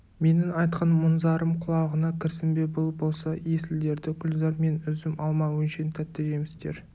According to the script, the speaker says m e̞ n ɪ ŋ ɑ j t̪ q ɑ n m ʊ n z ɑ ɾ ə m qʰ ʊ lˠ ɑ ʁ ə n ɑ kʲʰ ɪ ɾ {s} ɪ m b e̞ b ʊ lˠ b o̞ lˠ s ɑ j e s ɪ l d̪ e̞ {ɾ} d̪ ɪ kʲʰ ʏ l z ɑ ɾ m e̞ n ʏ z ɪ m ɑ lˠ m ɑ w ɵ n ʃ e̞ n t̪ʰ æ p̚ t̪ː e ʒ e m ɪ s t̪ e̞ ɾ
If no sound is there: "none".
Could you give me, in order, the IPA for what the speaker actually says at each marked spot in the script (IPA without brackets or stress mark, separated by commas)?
s, ɾ